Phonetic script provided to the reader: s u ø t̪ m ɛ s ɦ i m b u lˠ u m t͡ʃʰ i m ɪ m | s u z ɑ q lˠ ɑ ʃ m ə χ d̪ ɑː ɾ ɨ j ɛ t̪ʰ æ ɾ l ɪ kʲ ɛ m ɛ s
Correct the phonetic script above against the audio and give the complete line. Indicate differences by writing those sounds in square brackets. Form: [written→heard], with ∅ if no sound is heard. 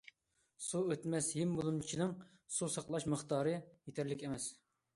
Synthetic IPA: s u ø t̪ m ɛ s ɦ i m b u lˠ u m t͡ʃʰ i [m→n] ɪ [m→ŋ] | s u [z→s] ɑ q lˠ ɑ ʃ m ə χ [d̪→t̪] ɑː ɾ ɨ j [ɛ→e] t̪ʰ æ ɾ l ɪ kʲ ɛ m ɛ s